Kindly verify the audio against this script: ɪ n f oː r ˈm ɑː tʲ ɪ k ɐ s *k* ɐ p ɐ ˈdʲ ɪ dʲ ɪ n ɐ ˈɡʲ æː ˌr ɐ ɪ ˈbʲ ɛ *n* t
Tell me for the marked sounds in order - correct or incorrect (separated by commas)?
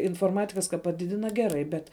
correct, incorrect